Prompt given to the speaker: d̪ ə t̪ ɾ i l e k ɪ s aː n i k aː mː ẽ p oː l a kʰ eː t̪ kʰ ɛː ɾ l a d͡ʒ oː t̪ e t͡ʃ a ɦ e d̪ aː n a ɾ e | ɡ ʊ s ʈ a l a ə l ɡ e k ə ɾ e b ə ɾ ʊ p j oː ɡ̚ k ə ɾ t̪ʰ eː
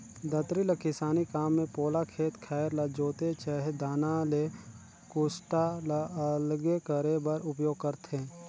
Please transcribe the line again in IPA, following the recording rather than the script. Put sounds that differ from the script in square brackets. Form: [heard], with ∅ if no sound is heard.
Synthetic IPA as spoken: d̪ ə t̪ ɾ i l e k ɪ s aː n i k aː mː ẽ p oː l a kʰ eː t̪ kʰ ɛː ɾ l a d͡ʒ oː t̪ e t͡ʃ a ɦ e d̪ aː n a [l] e | [k] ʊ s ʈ a l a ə l ɡ e k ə ɾ e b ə ɾ ʊ p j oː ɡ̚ k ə ɾ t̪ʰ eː